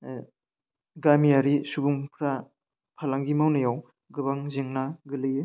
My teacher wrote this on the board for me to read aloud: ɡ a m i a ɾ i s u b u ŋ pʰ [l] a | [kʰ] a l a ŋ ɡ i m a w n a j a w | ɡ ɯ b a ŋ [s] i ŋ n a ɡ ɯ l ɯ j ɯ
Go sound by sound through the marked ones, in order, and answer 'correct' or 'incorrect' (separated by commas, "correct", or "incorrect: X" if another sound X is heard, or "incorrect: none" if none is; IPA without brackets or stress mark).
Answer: incorrect: ɾ, incorrect: pʰ, incorrect: z